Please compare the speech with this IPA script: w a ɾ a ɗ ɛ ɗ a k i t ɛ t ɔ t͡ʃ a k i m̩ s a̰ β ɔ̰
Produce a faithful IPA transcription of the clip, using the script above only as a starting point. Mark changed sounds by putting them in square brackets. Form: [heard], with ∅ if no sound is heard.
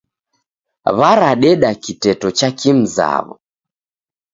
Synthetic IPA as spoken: [β] a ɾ a ɗ ɛ ɗ a k i t ɛ t ɔ t͡ʃ a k i m̩ [z] a̰ β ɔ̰

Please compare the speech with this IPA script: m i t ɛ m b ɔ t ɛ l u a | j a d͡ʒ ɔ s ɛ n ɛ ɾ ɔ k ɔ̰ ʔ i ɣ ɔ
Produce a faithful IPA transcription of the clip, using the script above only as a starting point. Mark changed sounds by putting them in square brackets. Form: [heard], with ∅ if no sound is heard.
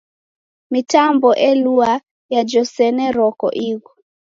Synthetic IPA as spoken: m i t [a] m b ɔ [ʔ] ɛ l u a | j a d͡ʒ ɔ s ɛ n ɛ ɾ ɔ k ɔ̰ ʔ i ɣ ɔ

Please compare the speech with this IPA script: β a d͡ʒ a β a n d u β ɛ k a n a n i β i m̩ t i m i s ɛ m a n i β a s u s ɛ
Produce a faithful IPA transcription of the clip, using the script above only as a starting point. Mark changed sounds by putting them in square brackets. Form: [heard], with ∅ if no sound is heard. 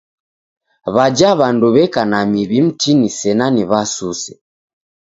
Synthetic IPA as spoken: β a d͡ʒ a β a n d u β ɛ k a n a [m] i β i m̩ t i [n] i s ɛ [n] a n i β a s u s ɛ

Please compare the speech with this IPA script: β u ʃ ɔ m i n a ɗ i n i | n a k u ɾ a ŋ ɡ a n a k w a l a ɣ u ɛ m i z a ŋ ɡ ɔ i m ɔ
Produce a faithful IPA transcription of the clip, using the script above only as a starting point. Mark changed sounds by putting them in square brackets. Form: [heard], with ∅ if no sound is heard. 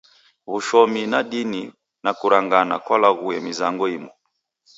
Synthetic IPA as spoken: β u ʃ ɔ m i n a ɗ i n i | n a k u ɾ a ŋ ɡ a n a k w a l a ɣ u ɛ m i z a ŋ ɡ ɔ i m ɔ

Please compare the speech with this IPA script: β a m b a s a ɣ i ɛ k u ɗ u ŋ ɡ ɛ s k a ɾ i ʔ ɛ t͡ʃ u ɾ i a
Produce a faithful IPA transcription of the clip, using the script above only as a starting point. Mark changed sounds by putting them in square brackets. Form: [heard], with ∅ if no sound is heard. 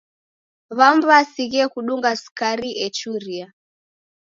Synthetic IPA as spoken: β a m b a s [i] ɣ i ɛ k u ɗ u ŋ ɡ [a] s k a ɾ i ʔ ɛ t͡ʃ u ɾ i a

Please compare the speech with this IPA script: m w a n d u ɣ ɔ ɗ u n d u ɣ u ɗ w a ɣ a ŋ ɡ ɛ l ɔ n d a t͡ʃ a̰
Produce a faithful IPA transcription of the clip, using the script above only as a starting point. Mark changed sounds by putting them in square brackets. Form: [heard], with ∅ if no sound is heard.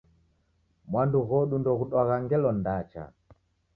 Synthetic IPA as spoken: m w a n d u ɣ ɔ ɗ u n d [ɔ] ɣ u ɗ w a ɣ a ŋ ɡ ɛ l ɔ n d a t͡ʃ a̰

